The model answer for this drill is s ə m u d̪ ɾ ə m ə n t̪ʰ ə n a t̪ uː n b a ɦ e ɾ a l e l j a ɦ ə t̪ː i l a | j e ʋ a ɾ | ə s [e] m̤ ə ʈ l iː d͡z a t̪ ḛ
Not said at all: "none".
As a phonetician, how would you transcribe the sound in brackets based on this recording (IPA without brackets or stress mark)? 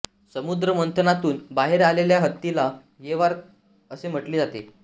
e